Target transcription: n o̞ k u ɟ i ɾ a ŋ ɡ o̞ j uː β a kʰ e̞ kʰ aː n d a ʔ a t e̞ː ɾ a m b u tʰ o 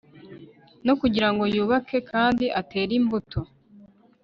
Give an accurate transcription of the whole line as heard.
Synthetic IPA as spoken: n o̞ k u ɟ i ɾ a ŋ ɡ o̞ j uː β a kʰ e̞ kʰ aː n d i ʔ a t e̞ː ɾ i m b u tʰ o